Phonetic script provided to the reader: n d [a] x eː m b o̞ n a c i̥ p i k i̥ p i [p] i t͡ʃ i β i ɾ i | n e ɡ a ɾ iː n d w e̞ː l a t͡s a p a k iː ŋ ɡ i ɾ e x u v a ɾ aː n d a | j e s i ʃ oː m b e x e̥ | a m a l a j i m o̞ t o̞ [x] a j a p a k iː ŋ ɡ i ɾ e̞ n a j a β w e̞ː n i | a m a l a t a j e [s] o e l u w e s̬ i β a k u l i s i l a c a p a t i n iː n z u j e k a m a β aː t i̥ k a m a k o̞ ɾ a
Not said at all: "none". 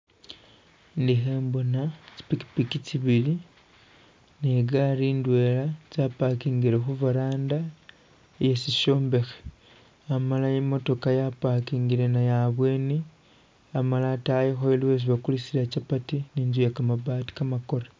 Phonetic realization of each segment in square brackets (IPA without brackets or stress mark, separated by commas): i, k, k, x